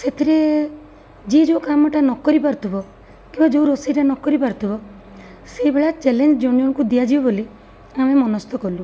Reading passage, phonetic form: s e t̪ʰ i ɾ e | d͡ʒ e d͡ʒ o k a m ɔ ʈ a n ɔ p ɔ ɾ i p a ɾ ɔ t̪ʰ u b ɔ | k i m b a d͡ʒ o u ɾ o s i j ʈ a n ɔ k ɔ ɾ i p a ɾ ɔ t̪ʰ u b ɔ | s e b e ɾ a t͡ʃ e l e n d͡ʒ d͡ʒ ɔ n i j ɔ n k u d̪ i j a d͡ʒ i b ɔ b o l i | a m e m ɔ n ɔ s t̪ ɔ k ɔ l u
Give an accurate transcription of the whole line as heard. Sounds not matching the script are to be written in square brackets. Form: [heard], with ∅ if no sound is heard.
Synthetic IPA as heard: s e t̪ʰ i ɾ e | d͡ʒ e d͡ʒ o k a m ɔ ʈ a n ɔ [k] ɔ ɾ i p a ɾ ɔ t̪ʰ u b ɔ | k i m b a d͡ʒ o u ɾ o s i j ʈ a n ɔ k ɔ ɾ i p a ɾ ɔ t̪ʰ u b ɔ | s e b e [ɭ] a t͡ʃ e l e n d͡ʒ d͡ʒ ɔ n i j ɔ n k u d̪ i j a d͡ʒ i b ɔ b o l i | a m e m ɔ n ɔ s t̪ ɔ k ɔ l u